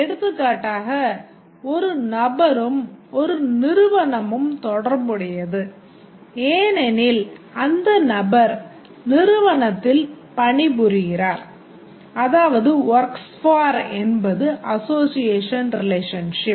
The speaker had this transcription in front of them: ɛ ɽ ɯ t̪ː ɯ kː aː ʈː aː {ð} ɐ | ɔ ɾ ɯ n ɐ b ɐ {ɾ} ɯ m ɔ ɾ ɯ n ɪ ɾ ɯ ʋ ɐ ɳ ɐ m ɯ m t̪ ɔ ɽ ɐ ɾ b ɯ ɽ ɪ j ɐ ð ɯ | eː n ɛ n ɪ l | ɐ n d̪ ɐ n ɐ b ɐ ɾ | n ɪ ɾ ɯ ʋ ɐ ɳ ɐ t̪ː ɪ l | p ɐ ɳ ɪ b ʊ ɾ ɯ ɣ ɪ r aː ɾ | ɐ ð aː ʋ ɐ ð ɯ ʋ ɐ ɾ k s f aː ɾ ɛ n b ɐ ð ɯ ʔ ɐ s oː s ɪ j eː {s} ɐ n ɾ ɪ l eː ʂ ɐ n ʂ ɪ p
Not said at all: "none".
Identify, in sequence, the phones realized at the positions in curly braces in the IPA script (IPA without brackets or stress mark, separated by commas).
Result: ɣ, ɾ, ʂ